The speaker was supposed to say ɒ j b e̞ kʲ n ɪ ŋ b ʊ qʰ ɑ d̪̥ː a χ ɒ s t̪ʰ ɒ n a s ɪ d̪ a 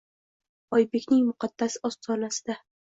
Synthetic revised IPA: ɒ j b e̞ kʲ n ɪ ŋ m ʊ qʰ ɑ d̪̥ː a s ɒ s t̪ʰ ɒ n a s ɪ d̪ a